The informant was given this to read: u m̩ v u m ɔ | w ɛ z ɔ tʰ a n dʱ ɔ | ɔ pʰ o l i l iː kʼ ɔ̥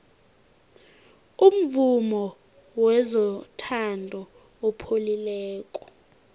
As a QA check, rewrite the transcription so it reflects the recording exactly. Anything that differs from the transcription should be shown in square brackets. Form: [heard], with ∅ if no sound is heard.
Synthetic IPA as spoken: u m̩ v u m ɔ | w ɛ z ɔ tʰ a n dʱ ɔ | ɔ pʰ o l i l [ɛː] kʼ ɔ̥